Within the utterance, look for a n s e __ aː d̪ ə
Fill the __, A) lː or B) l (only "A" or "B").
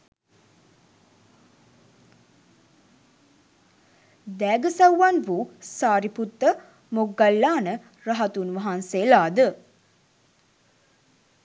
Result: B